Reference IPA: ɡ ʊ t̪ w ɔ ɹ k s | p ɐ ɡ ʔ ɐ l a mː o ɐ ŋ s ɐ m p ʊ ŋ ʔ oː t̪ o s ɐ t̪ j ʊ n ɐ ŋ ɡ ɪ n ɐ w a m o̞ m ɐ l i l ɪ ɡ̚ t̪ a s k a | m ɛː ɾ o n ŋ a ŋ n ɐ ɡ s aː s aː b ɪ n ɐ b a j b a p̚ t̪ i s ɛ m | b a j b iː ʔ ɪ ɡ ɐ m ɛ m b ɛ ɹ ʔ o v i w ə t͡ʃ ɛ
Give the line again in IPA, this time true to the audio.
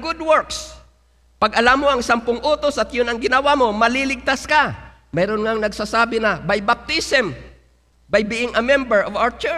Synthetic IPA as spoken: ɡ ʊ d̪ w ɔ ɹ k s | p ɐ ɡ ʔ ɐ l a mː o ɐ ŋ s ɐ m p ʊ ŋ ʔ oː t̪ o s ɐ t̪ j ʊ n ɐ ŋ ɡ ɪ n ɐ w a m o̞ m ɐ l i l ɪ ɡ̚ t̪ a s k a | m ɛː ɾ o n ŋ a ŋ n ɐ ɡ s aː s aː b ɪ n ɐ b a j b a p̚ t̪ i s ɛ m | b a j b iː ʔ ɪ ŋ ɐ m ɛ m b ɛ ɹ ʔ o v a w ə t͡ʃ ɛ